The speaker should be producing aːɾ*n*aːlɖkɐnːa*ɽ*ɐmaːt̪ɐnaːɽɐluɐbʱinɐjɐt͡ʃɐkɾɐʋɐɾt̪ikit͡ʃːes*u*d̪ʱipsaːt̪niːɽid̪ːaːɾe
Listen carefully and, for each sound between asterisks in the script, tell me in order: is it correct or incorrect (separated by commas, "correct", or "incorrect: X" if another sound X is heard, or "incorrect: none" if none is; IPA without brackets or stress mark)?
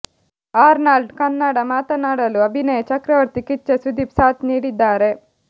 correct, correct, correct